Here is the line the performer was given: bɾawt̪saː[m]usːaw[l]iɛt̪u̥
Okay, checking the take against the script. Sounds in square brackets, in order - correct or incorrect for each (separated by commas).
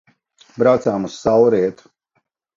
correct, incorrect